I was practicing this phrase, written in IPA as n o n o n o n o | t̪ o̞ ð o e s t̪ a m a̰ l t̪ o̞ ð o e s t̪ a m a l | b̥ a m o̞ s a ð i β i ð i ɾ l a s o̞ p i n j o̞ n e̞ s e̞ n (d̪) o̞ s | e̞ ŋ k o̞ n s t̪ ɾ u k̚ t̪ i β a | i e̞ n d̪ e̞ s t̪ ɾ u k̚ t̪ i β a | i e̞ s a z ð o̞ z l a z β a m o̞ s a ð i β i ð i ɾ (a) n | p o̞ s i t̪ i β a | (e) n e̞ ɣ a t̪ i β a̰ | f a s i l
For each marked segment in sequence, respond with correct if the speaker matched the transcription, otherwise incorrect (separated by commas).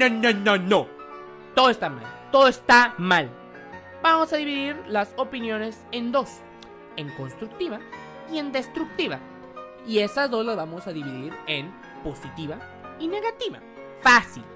correct, incorrect, incorrect